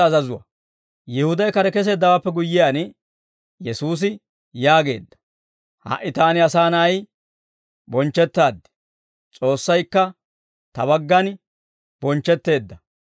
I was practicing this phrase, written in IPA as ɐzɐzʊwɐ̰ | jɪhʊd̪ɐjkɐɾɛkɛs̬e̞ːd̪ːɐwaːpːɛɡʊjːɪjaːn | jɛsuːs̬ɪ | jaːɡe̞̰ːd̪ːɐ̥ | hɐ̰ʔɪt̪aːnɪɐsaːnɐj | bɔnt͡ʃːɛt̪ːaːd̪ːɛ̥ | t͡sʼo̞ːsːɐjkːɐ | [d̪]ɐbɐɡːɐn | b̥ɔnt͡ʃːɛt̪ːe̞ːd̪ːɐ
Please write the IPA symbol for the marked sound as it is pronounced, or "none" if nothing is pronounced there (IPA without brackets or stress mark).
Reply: t̪